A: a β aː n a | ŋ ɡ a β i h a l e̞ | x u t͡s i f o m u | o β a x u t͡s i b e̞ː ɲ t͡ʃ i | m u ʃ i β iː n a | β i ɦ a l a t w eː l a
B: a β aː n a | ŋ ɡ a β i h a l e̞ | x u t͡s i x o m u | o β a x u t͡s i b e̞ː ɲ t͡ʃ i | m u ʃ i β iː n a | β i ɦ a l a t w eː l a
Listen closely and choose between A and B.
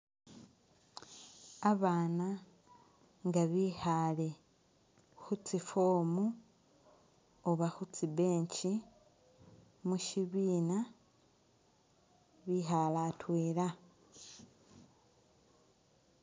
A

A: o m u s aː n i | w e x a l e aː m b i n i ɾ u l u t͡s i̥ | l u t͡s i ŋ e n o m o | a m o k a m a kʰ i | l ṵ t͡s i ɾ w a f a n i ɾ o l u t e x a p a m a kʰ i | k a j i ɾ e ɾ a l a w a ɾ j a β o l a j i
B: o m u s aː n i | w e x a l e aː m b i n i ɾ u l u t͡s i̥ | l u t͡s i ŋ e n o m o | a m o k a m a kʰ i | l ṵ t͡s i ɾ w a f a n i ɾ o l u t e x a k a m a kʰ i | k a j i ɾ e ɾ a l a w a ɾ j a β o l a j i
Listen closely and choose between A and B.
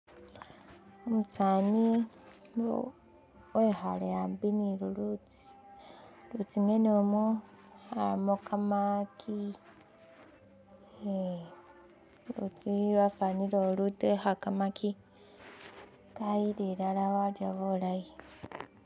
B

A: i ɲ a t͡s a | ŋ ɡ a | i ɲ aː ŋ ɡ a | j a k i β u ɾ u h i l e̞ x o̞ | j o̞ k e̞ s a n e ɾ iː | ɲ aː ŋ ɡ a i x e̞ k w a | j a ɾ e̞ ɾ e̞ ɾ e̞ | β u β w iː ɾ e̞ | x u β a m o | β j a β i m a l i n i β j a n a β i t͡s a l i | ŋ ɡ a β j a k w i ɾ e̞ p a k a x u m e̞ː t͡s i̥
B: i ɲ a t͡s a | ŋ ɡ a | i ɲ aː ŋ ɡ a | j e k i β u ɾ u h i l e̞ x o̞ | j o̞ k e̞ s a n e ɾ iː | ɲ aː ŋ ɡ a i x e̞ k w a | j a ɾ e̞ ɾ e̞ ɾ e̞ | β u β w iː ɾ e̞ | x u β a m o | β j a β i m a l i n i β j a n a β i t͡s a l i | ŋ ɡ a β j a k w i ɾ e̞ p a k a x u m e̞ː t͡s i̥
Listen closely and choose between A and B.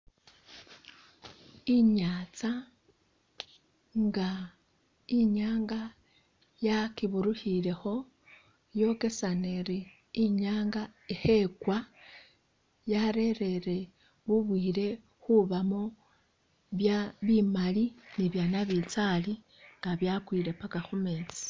A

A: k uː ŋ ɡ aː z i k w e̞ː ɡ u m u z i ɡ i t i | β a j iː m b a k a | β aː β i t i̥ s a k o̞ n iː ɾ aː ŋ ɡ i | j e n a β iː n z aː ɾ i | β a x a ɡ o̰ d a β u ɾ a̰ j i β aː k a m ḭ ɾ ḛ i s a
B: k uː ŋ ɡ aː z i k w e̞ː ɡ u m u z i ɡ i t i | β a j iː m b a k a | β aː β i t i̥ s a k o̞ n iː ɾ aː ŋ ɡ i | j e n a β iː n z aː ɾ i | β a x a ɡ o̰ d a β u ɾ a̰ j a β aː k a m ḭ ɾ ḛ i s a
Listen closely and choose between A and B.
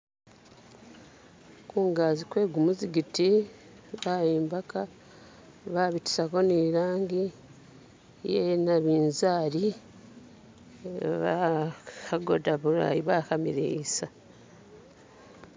A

